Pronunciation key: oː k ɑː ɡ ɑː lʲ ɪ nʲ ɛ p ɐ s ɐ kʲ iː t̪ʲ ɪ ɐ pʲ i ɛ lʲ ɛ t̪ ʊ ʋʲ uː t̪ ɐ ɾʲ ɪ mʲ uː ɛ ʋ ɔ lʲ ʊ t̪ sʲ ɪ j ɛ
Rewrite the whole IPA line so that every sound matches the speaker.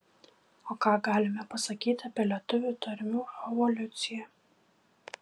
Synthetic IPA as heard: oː k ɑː ɡ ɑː lʲ ɪ mʲ ɛ p ɐ s ɐ kʲ iː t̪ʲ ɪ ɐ pʲ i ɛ lʲ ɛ t̪ ʊ ʋʲ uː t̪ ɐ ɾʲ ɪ mʲ uː ɛ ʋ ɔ lʲ ʊ t̪ sʲ ɪ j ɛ